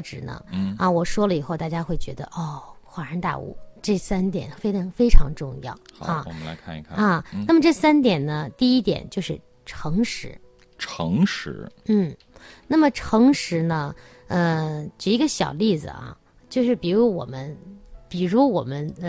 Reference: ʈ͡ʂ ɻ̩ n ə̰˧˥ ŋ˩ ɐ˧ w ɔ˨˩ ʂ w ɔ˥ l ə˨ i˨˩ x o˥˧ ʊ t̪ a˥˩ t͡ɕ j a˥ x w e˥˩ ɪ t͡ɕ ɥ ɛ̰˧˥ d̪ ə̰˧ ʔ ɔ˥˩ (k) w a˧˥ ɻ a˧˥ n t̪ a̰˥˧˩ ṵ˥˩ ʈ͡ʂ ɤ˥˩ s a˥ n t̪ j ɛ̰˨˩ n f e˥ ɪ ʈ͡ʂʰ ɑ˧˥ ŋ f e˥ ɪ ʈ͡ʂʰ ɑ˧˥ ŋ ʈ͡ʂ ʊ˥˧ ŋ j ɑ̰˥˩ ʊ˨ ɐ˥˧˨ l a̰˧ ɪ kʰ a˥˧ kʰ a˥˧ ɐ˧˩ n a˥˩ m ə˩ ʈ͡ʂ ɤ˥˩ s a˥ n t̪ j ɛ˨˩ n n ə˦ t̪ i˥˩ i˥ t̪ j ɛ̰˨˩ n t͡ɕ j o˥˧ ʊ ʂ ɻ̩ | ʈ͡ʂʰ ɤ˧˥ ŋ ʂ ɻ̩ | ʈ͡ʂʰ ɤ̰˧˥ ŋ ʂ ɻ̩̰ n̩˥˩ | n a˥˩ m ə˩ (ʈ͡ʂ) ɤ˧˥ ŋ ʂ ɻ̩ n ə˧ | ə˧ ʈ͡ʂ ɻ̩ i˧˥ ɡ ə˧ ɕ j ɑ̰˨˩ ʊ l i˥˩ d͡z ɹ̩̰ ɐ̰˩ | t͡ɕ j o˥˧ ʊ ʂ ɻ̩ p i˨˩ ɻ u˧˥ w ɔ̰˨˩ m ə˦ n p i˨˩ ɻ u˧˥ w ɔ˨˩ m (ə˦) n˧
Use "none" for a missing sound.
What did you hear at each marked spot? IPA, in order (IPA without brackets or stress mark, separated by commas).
x, ʈ͡ʂʰ, ə˦